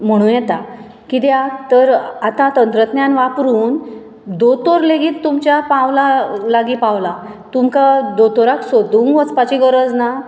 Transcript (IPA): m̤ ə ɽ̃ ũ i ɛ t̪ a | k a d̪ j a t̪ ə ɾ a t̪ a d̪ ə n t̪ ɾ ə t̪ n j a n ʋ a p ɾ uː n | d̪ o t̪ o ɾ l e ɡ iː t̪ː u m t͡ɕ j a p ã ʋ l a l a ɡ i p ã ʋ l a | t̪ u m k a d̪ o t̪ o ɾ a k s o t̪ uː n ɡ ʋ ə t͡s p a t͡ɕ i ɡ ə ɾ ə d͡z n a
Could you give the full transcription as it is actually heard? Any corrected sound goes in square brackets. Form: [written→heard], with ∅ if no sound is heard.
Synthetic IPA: m̤ ə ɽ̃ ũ [i→j] ɛ t̪ a | k [a→i] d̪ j a t̪ ə ɾ a t̪ a [d̪→t̪] ə n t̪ ɾ ə t̪ n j a n ʋ a p ɾ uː n | d̪ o t̪ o ɾ l e ɡ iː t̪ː u m t͡ɕ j a p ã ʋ l a l a ɡ i p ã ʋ l a | t̪ u m k a d̪ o t̪ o ɾ a k s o [t̪→d̪] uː [n→ŋ] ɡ ʋ ə t͡s p a t͡ɕ i ɡ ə ɾ ə d͡z n a